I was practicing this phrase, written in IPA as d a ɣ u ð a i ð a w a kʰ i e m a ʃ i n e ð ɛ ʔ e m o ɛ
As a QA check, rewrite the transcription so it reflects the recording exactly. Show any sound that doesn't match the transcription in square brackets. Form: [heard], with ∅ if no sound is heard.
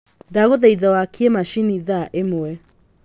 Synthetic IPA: d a ɣ [o] ð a i ð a w a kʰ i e m a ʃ i n [i] ð [a] ʔ e m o ɛ